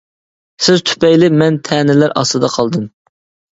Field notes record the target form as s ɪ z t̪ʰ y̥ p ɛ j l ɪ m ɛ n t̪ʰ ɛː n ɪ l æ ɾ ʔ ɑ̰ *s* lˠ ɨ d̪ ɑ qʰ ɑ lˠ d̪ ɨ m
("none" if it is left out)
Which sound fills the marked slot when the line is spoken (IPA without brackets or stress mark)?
s